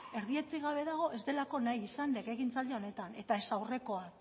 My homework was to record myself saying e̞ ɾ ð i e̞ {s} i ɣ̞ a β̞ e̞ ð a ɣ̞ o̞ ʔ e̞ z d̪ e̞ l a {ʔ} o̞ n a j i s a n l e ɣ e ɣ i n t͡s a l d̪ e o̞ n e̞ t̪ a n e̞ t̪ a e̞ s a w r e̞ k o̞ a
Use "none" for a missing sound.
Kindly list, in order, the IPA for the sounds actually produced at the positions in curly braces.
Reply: t͡s, k

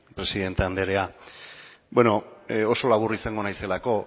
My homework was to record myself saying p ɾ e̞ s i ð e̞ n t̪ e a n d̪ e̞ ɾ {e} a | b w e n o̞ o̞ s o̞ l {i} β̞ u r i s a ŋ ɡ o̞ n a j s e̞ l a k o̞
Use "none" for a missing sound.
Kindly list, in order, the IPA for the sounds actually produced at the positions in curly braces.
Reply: e, a

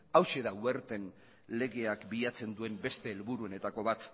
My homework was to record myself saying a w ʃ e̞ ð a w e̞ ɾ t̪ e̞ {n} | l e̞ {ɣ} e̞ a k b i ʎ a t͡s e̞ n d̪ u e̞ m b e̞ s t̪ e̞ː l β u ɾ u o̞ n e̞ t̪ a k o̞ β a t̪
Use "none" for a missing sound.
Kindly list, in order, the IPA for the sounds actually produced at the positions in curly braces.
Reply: n, ɣ

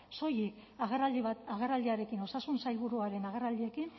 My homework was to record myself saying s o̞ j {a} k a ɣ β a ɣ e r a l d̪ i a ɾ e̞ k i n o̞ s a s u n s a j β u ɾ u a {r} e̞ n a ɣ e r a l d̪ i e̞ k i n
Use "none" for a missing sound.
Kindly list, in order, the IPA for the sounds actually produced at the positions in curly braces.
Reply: i, ɾ

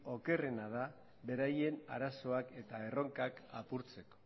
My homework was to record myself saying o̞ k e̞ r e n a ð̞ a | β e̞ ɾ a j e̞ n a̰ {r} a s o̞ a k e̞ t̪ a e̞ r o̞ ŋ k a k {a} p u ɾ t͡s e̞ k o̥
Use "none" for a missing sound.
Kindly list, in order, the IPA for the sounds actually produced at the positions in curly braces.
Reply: ɾ, a

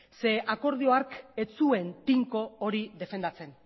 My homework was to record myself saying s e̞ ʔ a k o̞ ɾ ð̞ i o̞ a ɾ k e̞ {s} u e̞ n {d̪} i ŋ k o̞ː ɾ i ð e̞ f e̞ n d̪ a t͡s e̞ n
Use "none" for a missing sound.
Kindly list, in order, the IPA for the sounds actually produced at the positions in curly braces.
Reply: t͡s, t̪

